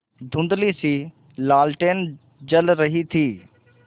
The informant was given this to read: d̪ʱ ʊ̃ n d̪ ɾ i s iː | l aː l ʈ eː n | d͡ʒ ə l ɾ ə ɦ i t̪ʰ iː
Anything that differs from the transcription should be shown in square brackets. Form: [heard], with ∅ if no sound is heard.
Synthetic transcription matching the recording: d̪ʱ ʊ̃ n d̪ [l] i s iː | l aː l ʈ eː n | d͡ʒ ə l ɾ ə ɦ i t̪ʰ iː